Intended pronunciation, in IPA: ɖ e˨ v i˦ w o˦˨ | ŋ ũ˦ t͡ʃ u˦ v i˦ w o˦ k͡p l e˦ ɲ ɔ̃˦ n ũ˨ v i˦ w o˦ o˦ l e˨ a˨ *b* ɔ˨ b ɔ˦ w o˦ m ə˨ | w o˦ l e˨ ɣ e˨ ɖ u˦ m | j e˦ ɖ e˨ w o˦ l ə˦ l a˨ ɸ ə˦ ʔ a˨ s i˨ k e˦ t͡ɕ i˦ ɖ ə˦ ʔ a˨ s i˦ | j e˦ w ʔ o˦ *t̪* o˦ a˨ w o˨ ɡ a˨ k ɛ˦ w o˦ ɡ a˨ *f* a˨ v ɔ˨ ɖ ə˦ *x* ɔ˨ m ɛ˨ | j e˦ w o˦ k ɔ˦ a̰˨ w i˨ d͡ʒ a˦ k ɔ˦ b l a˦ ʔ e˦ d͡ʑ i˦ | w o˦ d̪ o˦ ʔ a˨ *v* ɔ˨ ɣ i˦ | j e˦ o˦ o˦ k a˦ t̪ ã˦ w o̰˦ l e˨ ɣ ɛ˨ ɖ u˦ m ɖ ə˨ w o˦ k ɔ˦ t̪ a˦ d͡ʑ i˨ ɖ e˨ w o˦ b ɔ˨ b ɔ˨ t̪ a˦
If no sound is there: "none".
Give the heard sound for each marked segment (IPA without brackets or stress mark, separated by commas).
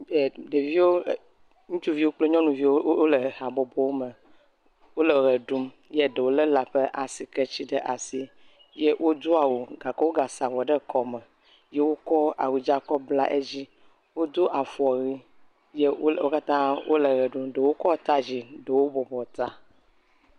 b, d̪, s, k, f